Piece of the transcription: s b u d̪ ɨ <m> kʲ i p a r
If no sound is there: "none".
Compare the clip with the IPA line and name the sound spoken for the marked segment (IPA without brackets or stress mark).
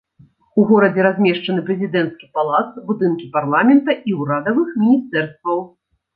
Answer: n